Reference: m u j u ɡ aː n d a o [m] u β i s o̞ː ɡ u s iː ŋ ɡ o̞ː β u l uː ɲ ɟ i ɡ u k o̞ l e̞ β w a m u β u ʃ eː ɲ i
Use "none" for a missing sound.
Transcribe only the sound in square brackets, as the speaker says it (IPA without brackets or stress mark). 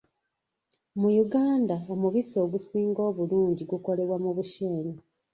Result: m